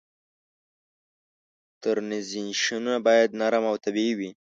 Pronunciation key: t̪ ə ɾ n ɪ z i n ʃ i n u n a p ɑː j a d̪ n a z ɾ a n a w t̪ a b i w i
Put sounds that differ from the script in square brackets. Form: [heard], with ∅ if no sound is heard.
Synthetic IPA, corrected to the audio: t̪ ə ɾ n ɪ z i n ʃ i n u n a [b] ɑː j a d̪ n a [∅] ɾ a [m] a w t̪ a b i w i